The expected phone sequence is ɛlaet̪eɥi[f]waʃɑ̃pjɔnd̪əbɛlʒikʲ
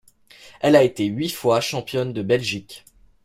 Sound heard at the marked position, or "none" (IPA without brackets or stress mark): f